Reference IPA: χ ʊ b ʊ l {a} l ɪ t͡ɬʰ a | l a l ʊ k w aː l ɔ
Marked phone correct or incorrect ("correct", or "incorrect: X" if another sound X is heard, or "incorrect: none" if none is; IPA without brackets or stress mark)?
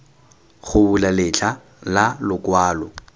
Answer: correct